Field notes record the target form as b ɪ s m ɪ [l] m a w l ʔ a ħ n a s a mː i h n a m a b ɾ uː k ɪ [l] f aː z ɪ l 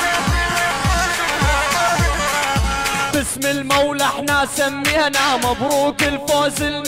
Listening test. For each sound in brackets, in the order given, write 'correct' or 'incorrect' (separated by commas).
correct, correct